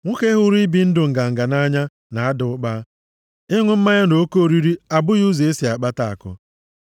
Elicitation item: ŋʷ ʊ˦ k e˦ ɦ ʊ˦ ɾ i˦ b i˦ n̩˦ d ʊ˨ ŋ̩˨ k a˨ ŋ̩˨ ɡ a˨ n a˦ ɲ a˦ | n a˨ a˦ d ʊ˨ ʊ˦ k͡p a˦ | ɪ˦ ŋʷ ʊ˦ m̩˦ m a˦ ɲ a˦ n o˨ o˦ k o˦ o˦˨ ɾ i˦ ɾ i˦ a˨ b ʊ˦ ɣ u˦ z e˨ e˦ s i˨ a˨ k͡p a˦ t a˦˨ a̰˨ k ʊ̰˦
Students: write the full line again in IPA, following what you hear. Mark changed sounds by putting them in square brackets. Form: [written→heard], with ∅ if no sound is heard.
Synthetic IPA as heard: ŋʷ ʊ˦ k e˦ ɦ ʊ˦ ɾ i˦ b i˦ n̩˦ d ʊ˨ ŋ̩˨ [k→ɡ] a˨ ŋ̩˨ ɡ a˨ n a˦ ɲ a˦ | n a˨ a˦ d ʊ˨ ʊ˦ k͡p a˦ | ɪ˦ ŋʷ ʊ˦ m̩˦ m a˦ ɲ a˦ n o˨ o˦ k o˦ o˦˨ ɾ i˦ ɾ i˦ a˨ b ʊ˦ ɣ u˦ z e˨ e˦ s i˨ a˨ k͡p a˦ t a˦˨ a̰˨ k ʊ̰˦